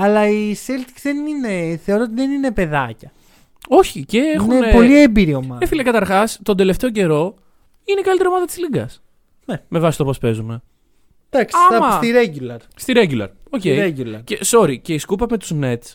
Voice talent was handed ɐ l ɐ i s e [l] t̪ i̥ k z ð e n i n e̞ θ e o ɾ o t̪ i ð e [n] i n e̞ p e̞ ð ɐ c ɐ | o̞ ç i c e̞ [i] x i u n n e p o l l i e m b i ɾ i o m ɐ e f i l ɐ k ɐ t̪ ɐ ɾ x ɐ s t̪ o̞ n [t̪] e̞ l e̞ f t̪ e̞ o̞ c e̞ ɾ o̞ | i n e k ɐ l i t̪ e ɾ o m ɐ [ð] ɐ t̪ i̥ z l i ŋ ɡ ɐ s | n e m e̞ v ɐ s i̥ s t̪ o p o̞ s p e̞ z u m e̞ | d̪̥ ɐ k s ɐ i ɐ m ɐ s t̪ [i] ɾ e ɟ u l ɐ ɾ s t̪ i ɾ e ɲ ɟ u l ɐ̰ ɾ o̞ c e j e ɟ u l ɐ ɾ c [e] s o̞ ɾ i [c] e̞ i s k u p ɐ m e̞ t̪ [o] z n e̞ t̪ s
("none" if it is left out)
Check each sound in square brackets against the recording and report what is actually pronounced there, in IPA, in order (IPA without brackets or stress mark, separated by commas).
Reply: l, n, e, d̪, ð, i, e, c, u